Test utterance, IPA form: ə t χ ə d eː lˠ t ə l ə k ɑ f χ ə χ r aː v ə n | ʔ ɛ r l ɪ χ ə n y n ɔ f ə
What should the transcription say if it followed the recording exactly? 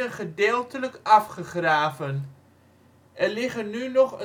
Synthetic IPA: ə χ ə d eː lˠ t ə l ə k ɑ f χ ə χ r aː v ə n | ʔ ɛ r l ɪ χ ə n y n ɔ χ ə